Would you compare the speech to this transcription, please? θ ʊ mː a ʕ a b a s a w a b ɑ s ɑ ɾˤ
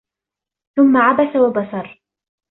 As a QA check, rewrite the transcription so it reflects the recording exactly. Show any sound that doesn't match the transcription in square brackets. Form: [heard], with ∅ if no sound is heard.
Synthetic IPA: θ ʊ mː a ʕ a b a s a w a b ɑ s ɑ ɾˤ